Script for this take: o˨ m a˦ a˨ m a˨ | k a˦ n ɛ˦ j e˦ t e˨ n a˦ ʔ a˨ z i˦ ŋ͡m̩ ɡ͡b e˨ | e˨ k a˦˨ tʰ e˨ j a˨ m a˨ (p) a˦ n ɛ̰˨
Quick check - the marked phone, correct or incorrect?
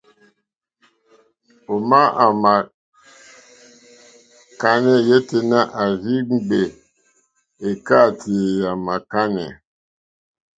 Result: incorrect: k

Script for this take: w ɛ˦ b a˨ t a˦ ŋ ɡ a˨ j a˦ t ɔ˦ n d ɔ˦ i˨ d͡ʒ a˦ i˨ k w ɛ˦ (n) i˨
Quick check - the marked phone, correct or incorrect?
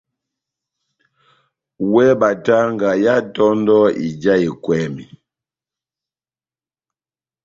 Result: incorrect: m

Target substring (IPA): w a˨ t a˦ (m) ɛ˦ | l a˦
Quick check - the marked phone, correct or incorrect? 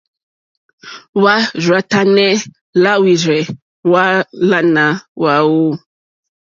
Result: incorrect: n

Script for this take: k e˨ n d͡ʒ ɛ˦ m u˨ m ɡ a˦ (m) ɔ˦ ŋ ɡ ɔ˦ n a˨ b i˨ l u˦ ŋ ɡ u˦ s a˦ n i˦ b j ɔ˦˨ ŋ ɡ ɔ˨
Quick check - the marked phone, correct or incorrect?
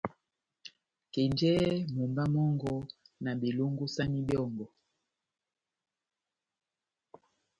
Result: correct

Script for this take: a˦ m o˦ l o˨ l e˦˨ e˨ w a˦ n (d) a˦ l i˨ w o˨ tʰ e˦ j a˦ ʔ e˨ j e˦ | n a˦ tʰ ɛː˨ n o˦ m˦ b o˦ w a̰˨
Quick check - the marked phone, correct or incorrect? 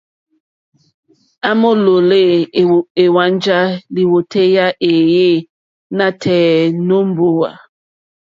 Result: incorrect: d͡ʒ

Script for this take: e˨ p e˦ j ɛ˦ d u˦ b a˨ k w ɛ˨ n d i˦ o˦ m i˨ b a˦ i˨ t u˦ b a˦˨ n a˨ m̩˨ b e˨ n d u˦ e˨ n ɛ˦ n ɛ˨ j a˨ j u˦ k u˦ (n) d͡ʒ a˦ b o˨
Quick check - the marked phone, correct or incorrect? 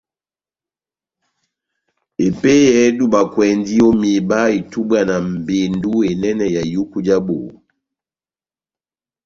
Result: incorrect: none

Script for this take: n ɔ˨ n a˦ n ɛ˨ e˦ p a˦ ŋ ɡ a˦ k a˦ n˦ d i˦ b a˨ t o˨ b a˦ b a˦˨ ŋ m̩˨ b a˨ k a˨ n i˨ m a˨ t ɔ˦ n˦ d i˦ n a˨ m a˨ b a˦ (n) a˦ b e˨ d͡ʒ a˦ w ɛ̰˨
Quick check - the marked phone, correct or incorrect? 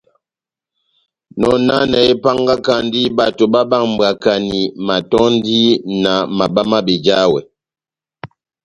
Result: incorrect: m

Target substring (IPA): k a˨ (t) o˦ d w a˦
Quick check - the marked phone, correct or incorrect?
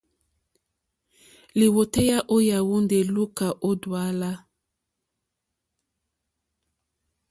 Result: incorrect: ʔ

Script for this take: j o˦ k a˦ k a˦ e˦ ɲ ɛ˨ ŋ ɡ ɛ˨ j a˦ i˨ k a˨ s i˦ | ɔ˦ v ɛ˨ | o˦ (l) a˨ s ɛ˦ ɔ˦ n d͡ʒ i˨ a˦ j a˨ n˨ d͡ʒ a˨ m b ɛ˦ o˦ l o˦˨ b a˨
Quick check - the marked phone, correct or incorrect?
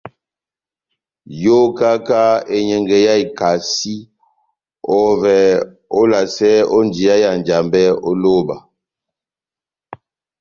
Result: correct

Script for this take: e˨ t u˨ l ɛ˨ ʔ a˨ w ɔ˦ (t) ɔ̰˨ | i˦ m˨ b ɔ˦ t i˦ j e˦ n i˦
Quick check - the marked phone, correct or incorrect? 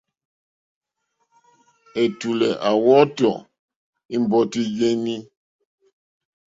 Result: correct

